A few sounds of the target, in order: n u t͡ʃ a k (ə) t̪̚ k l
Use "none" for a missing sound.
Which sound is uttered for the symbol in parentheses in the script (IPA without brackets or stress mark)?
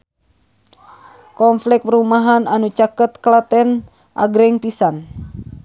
ə